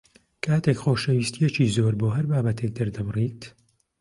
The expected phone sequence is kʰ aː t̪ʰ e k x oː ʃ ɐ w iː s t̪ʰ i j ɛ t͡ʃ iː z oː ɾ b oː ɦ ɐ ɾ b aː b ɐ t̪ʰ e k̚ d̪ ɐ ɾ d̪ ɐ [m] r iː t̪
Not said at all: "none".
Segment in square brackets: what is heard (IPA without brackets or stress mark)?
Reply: m